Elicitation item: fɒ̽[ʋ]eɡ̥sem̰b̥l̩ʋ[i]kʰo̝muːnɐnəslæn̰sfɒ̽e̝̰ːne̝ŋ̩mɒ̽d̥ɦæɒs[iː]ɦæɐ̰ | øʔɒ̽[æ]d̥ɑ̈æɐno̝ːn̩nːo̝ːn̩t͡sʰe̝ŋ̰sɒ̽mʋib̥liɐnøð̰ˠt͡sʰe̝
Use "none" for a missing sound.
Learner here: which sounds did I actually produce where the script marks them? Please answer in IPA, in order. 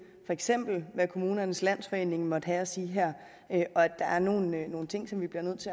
none, æ, iː, æ

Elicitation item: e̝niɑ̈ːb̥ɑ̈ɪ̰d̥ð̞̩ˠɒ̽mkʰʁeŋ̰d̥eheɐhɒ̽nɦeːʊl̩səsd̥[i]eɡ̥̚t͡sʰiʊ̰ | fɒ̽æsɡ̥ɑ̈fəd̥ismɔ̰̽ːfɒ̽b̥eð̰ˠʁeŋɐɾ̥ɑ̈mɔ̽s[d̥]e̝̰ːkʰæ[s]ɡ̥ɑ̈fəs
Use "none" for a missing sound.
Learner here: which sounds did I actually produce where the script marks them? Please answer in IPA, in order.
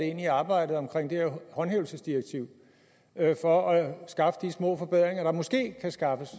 i, ɡ̥, s

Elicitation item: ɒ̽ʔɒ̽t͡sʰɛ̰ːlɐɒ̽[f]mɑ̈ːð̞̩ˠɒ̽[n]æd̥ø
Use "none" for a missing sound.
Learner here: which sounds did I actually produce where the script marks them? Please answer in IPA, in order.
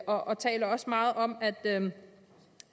s, m

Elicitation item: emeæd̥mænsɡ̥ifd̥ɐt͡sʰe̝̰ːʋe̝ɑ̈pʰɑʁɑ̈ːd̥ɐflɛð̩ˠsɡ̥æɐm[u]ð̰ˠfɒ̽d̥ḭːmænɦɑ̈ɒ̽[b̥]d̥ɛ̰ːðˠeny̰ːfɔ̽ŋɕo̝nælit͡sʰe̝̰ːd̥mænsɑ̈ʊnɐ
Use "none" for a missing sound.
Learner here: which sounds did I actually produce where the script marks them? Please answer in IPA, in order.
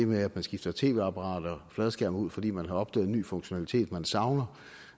u, b̥

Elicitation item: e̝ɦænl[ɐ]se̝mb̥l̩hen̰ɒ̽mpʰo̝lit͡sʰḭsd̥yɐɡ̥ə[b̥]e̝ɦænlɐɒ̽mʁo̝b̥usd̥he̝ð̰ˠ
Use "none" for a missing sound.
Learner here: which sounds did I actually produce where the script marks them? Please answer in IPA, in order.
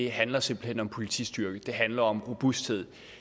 ɐ, d̥

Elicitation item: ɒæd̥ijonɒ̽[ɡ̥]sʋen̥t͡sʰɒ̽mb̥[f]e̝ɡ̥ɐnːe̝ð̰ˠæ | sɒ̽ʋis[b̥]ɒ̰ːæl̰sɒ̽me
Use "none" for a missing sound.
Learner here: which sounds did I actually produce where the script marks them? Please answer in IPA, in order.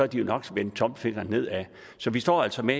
ɡ̥, f, d̥

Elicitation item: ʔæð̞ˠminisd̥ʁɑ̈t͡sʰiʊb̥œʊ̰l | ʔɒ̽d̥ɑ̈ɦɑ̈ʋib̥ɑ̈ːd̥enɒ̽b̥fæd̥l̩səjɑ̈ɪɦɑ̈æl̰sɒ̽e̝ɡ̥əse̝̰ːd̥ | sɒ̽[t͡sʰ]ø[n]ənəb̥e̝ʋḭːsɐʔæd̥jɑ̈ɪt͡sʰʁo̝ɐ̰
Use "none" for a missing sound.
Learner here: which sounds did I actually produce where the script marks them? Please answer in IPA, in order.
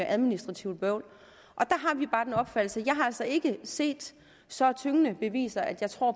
t͡sʰ, ŋ

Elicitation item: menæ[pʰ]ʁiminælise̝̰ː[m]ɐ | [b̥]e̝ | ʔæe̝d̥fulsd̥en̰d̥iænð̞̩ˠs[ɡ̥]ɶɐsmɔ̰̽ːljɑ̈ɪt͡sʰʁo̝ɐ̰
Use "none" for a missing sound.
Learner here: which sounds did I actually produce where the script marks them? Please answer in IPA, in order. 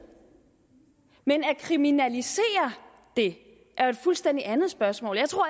kʰ, none, d̥, b̥

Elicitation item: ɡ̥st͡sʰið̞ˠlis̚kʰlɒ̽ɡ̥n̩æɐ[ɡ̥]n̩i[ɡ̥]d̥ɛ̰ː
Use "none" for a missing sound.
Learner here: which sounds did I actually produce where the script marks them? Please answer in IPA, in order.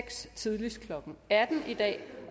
d̥, none

